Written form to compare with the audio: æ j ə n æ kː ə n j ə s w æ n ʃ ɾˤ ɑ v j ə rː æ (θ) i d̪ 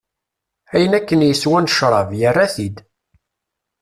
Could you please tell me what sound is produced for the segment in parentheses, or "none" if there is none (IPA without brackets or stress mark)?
θ